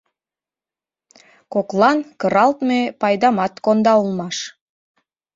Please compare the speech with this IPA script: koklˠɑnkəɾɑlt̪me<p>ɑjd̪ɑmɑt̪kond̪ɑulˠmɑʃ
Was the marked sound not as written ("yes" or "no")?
no